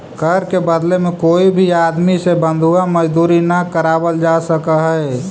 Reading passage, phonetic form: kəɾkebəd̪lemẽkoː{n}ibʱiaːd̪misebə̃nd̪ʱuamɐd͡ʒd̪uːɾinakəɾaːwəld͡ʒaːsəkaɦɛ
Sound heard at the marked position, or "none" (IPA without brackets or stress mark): none